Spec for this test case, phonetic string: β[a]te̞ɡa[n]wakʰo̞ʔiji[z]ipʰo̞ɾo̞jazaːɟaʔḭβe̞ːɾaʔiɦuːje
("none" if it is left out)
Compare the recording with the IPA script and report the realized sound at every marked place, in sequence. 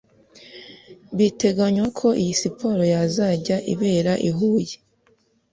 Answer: i, ɲ, s

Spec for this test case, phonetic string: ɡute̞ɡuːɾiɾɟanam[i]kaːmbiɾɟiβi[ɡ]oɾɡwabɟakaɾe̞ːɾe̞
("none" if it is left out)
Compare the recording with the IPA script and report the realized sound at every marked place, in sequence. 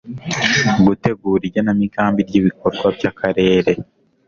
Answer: i, k

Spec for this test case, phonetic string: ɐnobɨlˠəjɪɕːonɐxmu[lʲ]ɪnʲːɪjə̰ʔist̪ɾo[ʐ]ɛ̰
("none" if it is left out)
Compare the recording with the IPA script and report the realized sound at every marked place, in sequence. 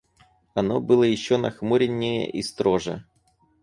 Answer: ɾʲ, ʐ

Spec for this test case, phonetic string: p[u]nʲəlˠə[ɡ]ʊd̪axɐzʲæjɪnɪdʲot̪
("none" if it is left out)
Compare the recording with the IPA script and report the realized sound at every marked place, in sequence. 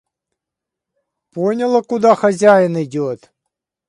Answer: o, k

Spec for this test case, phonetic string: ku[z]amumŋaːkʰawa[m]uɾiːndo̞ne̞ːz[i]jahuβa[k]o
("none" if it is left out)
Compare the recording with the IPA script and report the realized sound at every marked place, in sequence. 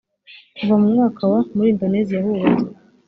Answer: v, m, i, t

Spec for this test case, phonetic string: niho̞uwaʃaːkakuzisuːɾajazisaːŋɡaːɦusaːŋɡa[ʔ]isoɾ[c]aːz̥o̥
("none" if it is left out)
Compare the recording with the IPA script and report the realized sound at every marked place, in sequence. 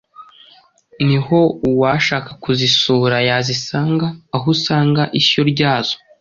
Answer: ʔ, ɟ

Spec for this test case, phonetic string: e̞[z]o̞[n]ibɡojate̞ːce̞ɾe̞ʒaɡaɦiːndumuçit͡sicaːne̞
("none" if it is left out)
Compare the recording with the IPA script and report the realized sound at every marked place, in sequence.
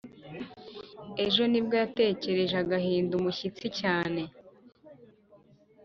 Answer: ʒ, n

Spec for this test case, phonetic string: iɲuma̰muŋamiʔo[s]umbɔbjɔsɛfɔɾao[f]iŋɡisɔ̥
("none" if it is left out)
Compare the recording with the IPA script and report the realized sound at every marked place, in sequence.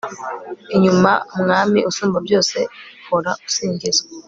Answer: s, s

